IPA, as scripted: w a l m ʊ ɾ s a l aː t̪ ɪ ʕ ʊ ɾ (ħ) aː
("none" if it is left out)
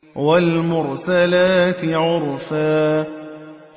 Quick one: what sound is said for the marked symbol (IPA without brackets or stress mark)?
f